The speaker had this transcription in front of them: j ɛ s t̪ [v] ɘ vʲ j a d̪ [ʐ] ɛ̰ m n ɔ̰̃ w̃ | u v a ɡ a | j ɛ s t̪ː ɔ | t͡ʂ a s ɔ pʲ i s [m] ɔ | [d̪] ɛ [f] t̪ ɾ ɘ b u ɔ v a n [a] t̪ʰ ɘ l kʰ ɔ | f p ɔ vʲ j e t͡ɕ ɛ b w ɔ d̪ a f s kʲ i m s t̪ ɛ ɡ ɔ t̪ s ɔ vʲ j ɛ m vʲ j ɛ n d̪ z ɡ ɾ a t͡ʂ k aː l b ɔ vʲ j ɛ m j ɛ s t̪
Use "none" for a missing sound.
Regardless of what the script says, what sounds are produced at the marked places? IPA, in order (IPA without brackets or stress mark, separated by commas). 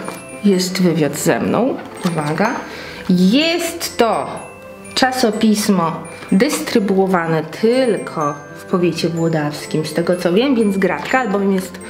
v, z, m, d̪, s, ɛ